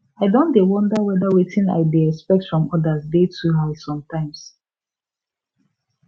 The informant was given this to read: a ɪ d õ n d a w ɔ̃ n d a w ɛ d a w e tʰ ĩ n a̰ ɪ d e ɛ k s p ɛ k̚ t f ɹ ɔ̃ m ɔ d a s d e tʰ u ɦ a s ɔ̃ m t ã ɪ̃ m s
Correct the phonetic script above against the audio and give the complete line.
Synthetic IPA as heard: a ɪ d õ n d e w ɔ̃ n d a w ɛ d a w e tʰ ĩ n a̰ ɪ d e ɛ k s p ɛ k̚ t f ɹ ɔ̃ m ɔ d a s d e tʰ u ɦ a s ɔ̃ m t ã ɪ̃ m s